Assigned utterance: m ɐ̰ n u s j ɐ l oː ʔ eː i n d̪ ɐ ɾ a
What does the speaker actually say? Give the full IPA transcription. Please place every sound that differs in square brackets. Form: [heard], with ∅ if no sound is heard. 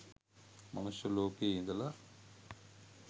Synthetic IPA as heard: m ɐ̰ n u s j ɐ l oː [k] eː i n d̪ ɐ [l] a